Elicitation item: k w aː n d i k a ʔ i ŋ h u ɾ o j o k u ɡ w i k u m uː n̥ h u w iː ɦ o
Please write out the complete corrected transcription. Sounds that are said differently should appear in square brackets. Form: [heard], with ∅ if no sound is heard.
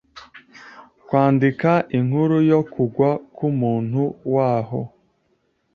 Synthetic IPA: k w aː n d i k a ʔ i ŋ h u ɾ [u] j o k u ɡ w [a] k u m uː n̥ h u w [aː] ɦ o